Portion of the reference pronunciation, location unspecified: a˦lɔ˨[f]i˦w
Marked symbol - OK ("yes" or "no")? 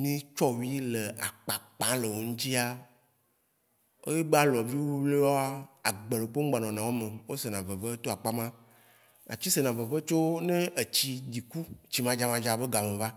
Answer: no